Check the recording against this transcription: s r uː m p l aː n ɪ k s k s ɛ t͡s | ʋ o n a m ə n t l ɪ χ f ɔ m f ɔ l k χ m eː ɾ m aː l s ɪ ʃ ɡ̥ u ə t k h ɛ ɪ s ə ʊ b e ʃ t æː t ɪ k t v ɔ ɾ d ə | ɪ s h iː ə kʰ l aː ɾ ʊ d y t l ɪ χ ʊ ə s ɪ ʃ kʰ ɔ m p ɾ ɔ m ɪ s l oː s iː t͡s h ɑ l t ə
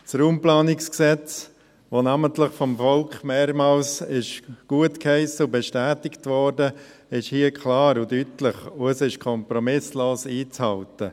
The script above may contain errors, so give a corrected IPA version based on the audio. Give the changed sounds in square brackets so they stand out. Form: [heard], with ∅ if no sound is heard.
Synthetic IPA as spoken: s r uː m p l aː n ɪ k s k s ɛ t͡s | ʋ o n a m ə n t l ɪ χ f ɔ m f ɔ l k χ m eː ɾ m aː l s ɪ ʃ ɡ̥ u ə t k h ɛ ɪ s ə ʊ b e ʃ t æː t ɪ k t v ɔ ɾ d ə | ɪ [ʃ] h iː ə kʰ l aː ɾ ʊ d y t l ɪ χ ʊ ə s ɪ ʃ kʰ ɔ m p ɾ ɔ m ɪ s l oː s iː t͡s h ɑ l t ə